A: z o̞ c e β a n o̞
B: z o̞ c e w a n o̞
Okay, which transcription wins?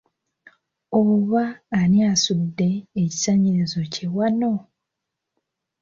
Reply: B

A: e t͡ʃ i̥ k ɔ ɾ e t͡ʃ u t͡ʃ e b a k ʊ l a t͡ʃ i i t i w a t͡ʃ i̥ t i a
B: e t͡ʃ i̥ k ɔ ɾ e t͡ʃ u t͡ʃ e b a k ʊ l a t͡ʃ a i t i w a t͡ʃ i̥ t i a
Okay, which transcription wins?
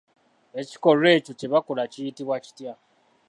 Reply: A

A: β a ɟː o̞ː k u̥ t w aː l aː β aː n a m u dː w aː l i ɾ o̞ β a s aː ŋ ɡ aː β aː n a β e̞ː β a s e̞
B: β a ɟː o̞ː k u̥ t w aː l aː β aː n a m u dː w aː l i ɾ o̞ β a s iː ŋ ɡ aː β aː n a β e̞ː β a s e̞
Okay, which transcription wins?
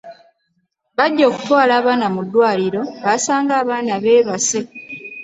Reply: A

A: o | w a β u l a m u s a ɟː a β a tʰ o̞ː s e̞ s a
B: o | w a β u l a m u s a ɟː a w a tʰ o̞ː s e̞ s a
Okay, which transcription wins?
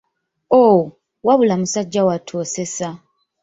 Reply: B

